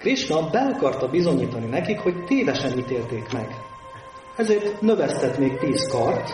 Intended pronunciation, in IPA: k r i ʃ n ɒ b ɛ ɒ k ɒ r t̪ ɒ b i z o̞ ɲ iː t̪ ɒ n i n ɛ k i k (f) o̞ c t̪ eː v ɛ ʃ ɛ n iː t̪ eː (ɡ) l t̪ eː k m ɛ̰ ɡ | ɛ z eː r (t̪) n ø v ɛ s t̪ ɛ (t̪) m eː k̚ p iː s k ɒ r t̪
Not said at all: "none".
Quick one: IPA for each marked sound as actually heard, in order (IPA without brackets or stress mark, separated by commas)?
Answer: h, none, t̪, t̪